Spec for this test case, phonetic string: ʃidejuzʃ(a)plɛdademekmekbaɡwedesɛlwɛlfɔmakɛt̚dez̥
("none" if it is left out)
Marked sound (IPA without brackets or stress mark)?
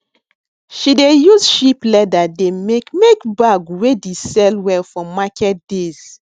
i